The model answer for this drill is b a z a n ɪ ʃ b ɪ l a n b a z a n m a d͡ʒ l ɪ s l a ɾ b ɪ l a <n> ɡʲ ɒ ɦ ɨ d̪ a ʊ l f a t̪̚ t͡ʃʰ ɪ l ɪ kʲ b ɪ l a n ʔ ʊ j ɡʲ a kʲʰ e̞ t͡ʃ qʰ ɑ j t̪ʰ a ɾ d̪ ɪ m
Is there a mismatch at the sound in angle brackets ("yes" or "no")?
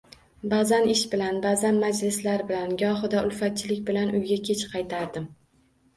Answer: no